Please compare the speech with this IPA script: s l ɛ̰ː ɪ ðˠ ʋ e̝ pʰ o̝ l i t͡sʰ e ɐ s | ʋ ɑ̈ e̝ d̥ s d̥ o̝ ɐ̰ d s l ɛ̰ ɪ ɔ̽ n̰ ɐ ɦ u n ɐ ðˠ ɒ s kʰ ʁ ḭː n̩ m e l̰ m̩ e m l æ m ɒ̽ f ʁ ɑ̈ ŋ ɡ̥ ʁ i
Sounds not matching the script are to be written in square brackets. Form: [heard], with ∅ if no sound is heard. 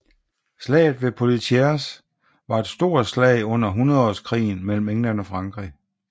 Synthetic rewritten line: s l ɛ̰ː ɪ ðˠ ʋ e̝ pʰ o̝ l i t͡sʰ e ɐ s | ʋ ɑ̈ e̝ d̥ s d̥ o̝ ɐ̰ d s l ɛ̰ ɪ ɔ̽ n̰ ɐ ɦ u n ɐ ðˠ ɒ s kʰ ʁ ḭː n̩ m e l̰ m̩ e [ŋ] l æ [n] ɒ̽ f ʁ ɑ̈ ŋ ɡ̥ ʁ i